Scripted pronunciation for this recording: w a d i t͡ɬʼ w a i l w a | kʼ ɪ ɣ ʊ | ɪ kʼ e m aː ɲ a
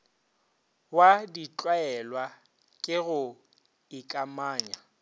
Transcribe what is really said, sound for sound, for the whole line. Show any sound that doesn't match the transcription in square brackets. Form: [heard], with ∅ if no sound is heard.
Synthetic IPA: w a d i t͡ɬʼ w a [ɛ] l w a | kʼ ɪ ɣ ʊ | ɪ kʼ [a] m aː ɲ a